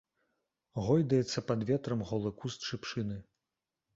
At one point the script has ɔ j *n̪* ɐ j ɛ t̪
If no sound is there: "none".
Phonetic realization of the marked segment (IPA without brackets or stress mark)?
d̪